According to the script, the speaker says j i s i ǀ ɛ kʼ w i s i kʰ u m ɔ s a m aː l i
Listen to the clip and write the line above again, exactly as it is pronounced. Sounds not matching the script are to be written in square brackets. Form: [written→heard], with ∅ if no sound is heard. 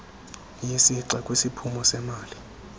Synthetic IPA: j i s i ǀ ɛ kʼ w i s i [kʰ→pʰ] u m ɔ s [a→ɛ] m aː l i